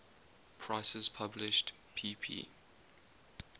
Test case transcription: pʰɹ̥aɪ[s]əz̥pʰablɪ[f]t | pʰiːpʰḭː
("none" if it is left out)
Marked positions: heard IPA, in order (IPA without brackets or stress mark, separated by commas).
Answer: s, ʃ